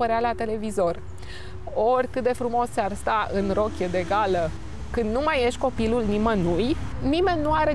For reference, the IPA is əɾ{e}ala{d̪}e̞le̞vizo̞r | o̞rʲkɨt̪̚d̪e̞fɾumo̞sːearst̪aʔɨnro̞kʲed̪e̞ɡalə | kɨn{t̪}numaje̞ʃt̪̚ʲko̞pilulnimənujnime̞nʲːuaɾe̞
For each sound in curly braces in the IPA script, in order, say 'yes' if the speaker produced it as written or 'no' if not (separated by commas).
yes, no, no